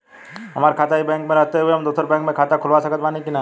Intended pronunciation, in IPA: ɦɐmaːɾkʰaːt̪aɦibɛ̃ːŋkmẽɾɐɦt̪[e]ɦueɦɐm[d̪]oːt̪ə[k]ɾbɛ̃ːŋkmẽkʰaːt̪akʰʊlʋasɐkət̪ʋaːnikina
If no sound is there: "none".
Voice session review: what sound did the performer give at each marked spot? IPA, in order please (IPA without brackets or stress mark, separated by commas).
e, d̪, none